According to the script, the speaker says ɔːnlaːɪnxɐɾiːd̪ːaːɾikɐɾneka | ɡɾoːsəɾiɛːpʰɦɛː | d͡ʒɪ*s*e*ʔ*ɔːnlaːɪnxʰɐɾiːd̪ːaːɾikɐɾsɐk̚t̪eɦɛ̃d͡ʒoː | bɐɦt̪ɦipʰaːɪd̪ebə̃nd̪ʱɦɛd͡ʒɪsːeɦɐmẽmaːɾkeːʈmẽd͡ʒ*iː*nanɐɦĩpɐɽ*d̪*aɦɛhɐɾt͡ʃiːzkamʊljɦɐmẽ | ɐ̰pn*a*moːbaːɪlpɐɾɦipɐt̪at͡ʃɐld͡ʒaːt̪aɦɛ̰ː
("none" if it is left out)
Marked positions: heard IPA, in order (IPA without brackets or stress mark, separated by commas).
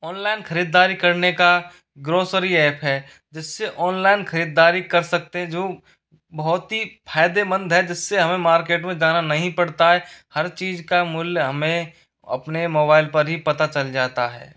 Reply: sː, ʔ, aː, t̪, e